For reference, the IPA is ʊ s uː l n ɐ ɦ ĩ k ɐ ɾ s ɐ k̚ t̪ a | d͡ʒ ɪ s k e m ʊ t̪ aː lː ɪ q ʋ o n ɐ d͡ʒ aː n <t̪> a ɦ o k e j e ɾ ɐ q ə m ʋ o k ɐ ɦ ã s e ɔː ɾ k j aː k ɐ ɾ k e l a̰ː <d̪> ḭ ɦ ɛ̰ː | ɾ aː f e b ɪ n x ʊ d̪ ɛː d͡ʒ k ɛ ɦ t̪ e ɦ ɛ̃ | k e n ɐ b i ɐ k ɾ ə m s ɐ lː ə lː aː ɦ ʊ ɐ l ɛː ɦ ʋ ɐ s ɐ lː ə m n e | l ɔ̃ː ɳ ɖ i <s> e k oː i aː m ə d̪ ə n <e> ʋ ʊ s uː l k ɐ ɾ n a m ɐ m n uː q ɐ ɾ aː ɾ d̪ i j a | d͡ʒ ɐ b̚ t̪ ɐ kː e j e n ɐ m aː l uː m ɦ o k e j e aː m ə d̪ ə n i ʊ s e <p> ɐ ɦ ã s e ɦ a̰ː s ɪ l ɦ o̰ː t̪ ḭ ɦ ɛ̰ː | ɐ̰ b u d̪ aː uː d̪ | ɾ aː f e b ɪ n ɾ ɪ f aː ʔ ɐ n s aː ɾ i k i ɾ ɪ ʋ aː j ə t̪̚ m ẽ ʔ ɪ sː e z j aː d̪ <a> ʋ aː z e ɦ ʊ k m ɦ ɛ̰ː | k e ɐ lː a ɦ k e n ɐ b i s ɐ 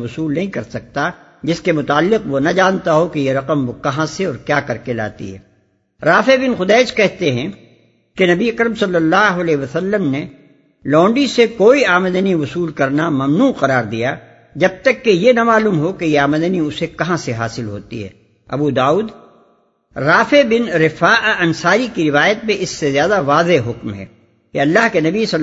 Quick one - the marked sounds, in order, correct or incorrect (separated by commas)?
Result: correct, incorrect, correct, incorrect, incorrect, correct